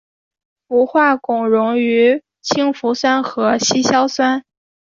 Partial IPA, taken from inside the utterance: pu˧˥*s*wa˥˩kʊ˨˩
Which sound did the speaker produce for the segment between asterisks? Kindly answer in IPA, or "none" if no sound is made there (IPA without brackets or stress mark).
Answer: x